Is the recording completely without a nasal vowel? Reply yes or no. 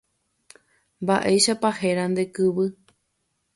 yes